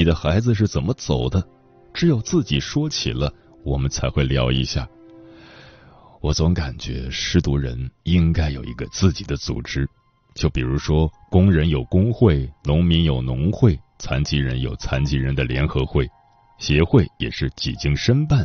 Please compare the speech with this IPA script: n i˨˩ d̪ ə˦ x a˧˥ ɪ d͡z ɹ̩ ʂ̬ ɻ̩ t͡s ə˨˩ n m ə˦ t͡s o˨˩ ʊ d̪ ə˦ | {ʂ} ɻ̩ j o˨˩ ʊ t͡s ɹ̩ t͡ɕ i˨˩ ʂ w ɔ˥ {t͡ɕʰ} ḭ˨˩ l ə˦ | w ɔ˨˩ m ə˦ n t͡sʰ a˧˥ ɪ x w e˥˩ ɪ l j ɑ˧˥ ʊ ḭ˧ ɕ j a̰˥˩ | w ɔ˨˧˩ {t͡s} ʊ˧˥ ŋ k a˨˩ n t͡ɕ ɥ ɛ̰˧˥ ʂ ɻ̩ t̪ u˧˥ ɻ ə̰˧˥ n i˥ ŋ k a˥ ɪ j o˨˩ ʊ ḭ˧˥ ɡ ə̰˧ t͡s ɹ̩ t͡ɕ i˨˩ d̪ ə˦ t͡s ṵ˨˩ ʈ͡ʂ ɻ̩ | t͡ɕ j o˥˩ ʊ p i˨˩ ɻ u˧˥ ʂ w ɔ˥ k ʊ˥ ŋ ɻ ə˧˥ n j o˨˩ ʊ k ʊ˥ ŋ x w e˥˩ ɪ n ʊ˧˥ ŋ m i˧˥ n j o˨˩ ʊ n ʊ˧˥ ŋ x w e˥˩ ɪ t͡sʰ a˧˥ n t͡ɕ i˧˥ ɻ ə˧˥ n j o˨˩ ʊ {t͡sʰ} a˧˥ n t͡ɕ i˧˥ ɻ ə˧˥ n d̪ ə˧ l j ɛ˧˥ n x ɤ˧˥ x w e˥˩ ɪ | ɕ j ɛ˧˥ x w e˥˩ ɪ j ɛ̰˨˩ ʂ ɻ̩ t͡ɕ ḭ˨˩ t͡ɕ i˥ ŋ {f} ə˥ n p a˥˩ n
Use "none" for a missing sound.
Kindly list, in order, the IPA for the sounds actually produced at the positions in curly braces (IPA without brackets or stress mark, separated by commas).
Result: ʈ͡ʂ, t͡ɕʰ, t͡s, t͡sʰ, ʂ